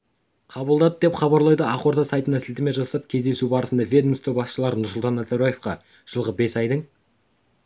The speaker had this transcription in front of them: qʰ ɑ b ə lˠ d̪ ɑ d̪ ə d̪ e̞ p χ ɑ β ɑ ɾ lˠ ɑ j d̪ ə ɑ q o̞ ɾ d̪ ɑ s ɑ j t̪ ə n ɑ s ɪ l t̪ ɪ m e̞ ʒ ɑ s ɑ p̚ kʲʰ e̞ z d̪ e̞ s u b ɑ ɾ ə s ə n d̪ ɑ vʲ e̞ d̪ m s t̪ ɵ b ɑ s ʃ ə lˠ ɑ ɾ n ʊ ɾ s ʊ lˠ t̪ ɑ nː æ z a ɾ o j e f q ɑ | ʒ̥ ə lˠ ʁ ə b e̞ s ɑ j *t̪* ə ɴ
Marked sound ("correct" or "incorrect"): incorrect